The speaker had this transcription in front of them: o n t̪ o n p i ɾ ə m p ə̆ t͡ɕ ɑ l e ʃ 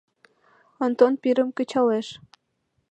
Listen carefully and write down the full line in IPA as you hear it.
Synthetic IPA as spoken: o n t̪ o n p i ɾ ə m k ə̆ t͡ɕ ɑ l e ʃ